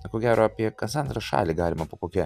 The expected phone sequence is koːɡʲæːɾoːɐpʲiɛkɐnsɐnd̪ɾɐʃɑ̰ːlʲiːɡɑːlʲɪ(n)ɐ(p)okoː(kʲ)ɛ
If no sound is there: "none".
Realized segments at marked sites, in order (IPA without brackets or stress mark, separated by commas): m, p, kʲ